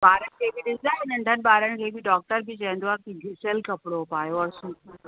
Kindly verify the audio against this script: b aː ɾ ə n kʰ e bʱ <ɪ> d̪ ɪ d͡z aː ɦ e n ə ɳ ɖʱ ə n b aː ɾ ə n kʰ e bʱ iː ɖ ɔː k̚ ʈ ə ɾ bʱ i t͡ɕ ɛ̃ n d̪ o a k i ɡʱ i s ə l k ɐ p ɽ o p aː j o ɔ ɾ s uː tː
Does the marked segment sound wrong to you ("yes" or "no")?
yes